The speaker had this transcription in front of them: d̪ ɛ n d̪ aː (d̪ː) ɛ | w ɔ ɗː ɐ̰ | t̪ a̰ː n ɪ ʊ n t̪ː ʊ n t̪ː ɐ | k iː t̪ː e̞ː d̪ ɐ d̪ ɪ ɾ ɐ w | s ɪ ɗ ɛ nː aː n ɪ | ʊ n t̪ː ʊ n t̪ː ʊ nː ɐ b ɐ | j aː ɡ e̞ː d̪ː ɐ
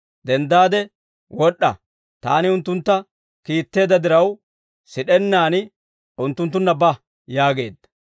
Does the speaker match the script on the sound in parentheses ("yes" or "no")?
no